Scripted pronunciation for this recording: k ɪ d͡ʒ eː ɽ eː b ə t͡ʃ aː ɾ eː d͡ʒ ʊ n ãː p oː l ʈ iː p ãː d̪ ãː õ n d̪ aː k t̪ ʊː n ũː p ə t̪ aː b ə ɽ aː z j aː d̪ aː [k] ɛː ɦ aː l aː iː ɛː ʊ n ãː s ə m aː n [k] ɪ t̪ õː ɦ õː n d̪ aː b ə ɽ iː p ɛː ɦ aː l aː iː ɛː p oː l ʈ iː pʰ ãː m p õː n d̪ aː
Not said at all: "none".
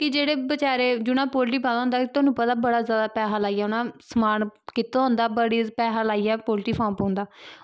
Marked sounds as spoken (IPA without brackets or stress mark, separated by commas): p, k